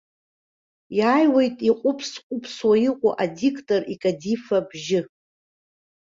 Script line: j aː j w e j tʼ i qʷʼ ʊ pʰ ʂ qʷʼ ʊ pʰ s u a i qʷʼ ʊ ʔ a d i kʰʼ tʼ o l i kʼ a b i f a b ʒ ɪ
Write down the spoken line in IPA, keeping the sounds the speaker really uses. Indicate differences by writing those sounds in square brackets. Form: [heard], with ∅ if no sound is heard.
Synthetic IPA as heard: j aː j w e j tʼ i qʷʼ ʊ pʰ [s] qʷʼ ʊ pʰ s [w] a i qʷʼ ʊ ʔ a d i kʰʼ tʼ o [r] i kʼ a [d] i f a b ʒ ɪ